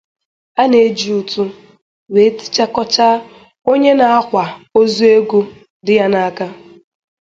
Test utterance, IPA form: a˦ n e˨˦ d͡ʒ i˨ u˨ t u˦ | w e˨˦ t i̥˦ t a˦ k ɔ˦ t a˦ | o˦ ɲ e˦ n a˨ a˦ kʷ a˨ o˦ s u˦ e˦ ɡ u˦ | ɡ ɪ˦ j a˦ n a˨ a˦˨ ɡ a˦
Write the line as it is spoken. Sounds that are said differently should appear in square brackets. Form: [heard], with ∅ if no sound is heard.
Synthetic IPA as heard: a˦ n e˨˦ d͡ʒ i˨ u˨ t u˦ | w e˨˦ t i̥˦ [t͡ʃ] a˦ k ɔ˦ [t͡ʃ] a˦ | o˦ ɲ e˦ n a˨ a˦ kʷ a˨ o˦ [z] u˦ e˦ ɡ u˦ | [d] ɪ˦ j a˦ n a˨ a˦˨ [k] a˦

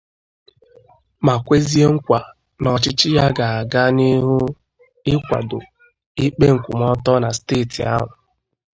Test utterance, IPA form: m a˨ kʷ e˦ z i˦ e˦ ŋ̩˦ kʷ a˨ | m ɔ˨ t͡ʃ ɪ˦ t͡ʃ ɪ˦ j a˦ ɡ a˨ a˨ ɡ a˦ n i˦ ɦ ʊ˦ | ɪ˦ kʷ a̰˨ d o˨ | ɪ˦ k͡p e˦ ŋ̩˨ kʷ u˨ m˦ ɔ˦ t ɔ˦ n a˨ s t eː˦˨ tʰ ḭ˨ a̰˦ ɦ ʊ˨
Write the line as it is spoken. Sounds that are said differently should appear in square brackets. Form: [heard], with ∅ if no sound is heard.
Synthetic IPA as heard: m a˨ kʷ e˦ z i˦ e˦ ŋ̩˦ kʷ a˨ | [n] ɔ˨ t͡ʃ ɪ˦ t͡ʃ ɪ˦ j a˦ ɡ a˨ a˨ ɡ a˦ n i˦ ɦ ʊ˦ | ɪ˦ kʷ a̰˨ d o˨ | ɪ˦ k͡p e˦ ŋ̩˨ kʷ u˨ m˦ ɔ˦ t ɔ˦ n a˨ s t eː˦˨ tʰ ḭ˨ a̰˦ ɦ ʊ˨

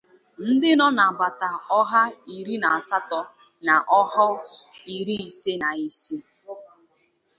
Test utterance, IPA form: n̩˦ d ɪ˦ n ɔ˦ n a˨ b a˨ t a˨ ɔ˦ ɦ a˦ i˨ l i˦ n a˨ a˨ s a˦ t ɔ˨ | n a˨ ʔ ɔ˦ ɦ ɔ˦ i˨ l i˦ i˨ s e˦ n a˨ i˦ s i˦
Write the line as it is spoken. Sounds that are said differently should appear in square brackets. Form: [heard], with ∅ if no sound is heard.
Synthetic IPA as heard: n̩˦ d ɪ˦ n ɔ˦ n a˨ b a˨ t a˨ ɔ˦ ɦ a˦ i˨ [ɾ] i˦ n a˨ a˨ s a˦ t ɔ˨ | n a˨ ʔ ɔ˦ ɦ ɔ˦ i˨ [ɾ] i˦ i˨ s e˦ n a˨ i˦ s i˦

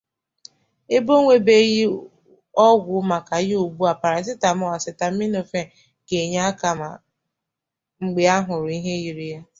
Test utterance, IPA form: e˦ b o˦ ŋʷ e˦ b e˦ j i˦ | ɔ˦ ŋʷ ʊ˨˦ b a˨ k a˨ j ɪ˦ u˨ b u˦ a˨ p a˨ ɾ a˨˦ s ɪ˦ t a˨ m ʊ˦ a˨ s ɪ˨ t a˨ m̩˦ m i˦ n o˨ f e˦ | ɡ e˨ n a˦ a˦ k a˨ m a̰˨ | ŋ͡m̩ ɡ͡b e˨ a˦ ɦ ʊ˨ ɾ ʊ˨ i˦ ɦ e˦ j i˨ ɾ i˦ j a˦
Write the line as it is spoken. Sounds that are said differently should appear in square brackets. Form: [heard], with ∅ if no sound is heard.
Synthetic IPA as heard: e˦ b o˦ ŋʷ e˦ b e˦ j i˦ | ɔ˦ [ɡʷ] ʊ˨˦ [m] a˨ k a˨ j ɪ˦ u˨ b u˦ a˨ p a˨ ɾ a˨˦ s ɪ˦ t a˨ m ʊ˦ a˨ s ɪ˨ t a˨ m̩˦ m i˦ n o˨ f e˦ | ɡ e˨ [ɲ] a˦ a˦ k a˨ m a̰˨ | ŋ͡m̩ ɡ͡b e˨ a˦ ɦ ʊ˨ ɾ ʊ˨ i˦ ɦ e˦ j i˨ ɾ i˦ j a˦

